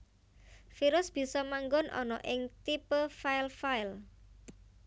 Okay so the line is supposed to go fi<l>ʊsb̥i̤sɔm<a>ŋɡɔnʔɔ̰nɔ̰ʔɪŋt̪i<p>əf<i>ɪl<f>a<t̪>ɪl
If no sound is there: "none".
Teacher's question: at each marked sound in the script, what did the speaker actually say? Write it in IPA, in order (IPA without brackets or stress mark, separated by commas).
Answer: ɾ, a, p, a, f, none